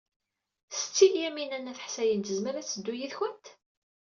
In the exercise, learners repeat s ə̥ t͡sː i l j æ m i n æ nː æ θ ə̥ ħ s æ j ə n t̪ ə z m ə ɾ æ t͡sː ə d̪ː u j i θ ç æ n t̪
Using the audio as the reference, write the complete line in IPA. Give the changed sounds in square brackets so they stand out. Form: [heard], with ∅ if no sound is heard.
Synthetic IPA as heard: s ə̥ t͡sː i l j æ m i n æ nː æ θ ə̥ ħ s æ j ə n t̪ ə z m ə ɾ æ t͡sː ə d̪ː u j i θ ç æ n t̪